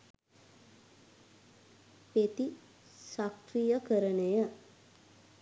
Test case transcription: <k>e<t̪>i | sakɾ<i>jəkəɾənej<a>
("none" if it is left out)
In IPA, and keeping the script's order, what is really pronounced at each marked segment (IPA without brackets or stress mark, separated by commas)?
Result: p, t̪, i, ə